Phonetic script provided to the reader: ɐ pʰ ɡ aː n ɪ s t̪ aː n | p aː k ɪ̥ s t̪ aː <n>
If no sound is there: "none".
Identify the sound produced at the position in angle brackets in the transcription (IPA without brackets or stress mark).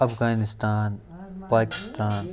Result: n